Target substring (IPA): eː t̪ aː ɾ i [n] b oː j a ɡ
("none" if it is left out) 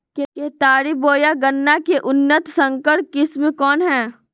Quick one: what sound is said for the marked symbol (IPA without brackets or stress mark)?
none